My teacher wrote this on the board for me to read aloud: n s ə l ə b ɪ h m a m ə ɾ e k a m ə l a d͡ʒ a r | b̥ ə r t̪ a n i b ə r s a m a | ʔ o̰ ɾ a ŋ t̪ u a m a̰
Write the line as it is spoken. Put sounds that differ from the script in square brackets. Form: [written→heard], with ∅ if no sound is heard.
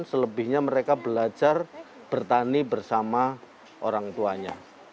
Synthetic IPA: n s ə l ə b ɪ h [m→ɲ] a m ə ɾ e k a [m→b] ə l a d͡ʒ a r | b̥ ə r t̪ a n i b ə r s a m a | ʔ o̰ ɾ a ŋ t̪ u a [m→ɲ] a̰